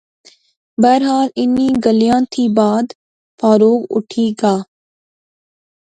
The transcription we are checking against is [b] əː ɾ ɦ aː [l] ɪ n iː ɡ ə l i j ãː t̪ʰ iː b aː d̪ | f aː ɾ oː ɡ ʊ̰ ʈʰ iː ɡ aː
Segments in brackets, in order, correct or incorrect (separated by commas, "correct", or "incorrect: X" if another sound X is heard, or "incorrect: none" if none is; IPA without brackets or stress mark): correct, correct